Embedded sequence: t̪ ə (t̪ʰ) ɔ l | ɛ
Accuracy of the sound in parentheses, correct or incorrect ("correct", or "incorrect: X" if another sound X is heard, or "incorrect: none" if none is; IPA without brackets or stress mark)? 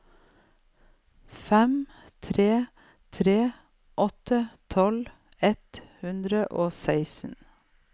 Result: correct